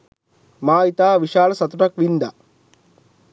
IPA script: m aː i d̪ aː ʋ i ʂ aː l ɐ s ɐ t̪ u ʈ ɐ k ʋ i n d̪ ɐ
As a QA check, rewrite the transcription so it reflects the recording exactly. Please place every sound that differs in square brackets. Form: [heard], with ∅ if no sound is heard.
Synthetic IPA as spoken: m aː i [t̪] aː ʋ i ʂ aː l ɐ s ɐ t̪ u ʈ ɐ k ʋ i n d̪ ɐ